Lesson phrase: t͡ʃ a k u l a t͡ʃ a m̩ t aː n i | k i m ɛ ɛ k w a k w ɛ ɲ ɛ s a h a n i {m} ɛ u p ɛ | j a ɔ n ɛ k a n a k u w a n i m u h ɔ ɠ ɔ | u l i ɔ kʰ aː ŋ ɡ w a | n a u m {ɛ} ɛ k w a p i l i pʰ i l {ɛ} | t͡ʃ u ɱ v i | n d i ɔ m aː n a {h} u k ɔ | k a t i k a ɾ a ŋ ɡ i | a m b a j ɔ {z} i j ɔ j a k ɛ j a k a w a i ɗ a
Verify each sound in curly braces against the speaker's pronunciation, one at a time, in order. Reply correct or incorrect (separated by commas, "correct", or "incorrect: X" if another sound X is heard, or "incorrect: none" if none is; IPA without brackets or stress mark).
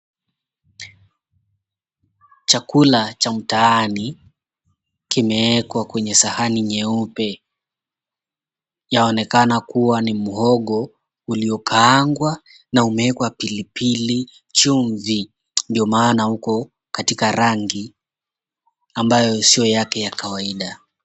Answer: incorrect: ɲ, correct, incorrect: i, correct, incorrect: s